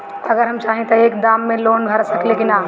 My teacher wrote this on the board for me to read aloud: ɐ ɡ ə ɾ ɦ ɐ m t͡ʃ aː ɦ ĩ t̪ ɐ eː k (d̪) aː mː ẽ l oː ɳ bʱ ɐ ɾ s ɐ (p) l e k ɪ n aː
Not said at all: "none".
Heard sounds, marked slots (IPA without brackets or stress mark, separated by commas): d̪, k